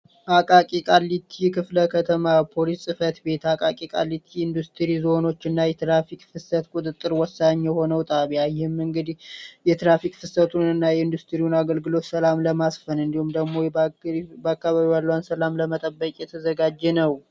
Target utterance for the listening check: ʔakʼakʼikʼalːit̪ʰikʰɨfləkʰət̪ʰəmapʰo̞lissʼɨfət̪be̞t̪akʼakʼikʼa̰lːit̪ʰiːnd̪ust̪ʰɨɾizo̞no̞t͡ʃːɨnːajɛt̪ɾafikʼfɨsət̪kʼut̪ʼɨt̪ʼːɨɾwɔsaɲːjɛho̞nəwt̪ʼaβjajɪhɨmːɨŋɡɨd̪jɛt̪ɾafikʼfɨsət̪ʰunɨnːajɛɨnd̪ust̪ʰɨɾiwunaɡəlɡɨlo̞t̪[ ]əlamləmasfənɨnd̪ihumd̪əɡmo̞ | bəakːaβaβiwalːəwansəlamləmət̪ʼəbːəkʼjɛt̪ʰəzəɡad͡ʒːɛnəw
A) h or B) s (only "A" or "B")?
B